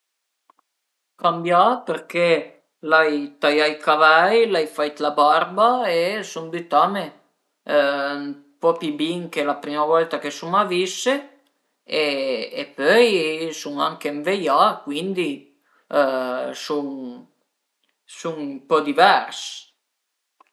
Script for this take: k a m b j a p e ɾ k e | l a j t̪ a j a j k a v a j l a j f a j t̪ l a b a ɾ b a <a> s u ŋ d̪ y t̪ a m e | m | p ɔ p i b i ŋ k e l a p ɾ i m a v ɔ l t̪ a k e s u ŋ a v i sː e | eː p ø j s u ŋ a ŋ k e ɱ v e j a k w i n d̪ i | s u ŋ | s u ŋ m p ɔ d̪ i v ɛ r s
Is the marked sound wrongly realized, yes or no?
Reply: yes